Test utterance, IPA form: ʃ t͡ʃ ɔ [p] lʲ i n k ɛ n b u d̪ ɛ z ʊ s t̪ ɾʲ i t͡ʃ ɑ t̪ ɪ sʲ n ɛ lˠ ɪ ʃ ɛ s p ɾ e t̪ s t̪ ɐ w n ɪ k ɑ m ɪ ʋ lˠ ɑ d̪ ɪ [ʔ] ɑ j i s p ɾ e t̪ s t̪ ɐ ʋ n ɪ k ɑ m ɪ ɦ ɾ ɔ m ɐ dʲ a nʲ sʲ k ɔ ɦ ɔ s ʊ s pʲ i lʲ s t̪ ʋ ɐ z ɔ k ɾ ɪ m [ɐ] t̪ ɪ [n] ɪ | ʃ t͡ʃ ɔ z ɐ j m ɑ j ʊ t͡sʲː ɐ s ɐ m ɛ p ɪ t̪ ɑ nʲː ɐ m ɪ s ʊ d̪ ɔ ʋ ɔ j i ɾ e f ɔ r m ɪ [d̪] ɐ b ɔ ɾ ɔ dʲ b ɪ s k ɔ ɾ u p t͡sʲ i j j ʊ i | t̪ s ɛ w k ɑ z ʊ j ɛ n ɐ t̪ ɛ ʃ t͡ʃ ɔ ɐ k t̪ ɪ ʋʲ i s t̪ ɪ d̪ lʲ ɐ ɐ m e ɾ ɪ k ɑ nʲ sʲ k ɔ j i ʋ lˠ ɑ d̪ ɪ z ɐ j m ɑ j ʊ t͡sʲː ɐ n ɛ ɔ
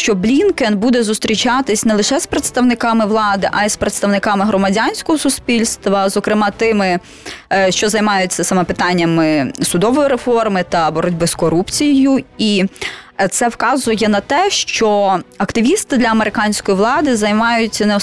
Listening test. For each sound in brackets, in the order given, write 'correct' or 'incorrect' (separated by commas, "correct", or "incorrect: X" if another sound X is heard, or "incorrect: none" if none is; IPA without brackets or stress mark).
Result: incorrect: b, correct, incorrect: ɑ, incorrect: m, incorrect: t̪